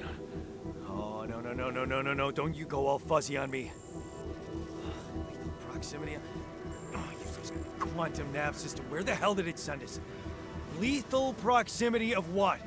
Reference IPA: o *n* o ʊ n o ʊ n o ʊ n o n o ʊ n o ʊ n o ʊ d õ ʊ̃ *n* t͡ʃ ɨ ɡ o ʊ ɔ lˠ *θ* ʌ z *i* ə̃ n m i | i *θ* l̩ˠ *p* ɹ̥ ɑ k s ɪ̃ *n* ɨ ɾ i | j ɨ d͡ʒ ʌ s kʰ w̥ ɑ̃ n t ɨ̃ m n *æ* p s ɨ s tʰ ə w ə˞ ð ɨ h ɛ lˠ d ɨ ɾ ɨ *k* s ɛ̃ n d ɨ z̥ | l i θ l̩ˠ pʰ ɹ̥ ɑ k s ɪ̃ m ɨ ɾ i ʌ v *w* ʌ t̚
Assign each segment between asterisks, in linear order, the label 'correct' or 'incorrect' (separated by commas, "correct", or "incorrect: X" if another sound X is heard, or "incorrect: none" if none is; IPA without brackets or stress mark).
correct, correct, incorrect: f, correct, correct, incorrect: pʰ, incorrect: m, correct, incorrect: t, correct